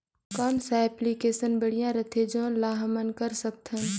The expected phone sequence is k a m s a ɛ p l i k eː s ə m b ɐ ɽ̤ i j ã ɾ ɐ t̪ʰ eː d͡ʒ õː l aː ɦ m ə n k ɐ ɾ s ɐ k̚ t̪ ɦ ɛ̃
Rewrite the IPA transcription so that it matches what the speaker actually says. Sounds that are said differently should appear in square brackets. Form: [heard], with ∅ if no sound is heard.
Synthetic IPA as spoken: k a m s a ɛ p l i k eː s ə [n] b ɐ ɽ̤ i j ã ɾ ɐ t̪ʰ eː d͡ʒ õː l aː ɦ m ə n k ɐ ɾ s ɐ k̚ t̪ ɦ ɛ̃